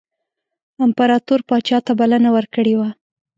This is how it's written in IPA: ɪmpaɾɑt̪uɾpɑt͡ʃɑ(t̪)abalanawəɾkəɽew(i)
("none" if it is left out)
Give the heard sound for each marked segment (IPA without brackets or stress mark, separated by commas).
t̪, a